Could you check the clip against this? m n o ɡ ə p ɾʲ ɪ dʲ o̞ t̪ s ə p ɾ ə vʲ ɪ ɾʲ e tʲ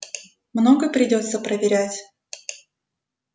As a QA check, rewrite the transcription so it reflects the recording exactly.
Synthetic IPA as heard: m n o ɡ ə p ɾʲ ɪ dʲ o̞ t̪ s ə p ɾ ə vʲ ɪ ɾʲ æ tʲ